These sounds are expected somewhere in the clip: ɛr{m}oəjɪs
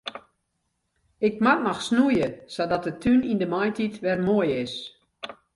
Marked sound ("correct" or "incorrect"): correct